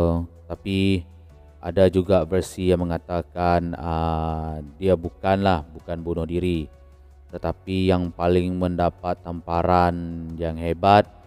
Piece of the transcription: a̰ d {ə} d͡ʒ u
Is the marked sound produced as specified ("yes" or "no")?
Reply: no